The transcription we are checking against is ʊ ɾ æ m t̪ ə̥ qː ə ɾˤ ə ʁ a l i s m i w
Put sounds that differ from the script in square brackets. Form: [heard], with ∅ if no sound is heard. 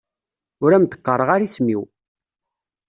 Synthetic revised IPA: ʊ ɾ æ m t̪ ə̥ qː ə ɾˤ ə ʁ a [ɾ] i s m i w